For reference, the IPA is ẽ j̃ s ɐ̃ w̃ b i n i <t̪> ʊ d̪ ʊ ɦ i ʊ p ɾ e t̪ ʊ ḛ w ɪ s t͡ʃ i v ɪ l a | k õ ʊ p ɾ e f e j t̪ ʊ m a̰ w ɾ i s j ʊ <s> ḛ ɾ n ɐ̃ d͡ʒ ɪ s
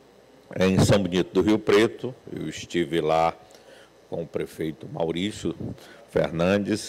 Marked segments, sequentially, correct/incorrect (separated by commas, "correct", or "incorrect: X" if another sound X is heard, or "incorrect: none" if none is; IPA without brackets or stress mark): correct, incorrect: f